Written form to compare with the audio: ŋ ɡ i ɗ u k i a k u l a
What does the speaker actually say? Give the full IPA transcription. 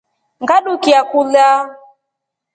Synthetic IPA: ŋ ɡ a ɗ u k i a k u l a